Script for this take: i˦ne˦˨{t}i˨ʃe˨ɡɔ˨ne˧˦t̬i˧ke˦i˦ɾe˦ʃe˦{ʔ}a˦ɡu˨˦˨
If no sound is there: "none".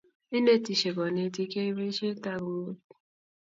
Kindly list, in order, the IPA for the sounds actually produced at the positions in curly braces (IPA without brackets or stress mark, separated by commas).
t, t